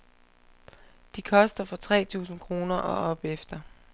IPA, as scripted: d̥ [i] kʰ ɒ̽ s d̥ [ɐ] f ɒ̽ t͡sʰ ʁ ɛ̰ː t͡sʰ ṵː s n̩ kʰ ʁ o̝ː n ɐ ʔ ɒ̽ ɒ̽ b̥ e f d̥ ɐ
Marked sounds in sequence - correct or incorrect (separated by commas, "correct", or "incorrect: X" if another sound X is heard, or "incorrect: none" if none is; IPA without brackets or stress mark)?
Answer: correct, correct